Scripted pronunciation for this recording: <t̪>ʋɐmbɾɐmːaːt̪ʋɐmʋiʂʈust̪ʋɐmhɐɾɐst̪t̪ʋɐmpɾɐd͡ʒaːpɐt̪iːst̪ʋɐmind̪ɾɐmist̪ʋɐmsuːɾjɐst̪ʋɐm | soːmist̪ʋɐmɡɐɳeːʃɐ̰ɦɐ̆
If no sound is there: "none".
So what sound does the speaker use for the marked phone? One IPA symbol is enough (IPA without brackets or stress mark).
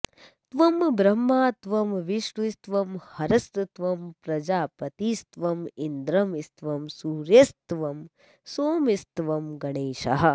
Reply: t̪